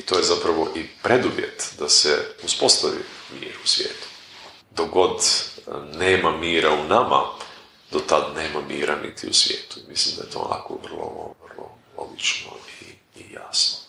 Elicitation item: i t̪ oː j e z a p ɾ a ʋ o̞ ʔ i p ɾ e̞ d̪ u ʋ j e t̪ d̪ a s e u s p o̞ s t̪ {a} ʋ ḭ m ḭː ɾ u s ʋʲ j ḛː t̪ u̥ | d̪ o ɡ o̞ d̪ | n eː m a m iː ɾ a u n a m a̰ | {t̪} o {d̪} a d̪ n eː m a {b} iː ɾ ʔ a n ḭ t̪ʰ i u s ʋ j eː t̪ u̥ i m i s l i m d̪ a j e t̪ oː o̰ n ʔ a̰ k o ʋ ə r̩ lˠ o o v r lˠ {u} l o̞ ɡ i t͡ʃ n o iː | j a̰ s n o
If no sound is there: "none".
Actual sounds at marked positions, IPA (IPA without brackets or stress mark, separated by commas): a, d̪, t̪, m, o